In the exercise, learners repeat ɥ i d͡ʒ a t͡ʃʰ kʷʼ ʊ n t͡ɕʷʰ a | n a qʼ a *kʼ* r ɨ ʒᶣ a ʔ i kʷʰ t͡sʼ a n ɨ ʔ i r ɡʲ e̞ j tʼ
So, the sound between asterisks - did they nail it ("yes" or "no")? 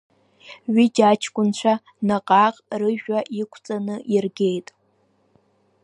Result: no